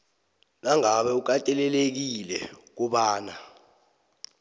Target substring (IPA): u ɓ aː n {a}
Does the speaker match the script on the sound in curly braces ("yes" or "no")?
yes